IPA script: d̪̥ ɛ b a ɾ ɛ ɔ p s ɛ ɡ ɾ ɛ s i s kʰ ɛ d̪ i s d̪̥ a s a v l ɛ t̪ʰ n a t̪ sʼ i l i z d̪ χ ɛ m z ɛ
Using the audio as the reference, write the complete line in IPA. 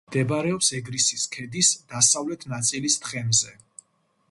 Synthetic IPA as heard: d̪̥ ɛ b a ɾ ɛ ɔ p s ɛ ɡ ɾ i s i s kʰ ɛ d̪ i s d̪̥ a s a v l ɛ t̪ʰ n a t̪ sʼ i l i s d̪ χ ɛ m z ɛ